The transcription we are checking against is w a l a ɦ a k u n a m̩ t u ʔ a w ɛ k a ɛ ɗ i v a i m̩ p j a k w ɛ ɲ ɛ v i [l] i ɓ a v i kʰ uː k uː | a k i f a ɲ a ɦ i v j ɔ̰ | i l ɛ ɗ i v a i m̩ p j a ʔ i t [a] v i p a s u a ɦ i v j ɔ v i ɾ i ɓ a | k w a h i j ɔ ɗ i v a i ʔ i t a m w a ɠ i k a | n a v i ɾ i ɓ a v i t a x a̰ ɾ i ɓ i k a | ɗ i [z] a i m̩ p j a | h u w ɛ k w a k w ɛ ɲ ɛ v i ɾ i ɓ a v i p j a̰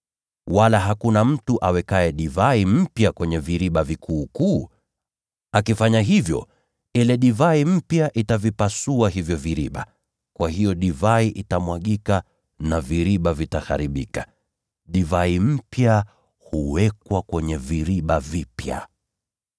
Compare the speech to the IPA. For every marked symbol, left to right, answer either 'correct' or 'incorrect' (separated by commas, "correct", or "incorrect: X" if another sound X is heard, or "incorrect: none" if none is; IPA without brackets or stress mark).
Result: incorrect: ɾ, correct, incorrect: v